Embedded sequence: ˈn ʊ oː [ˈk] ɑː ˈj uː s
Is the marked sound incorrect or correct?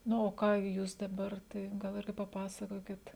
correct